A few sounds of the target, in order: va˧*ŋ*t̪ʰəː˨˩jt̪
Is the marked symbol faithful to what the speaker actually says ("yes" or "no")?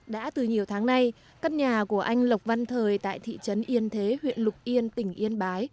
no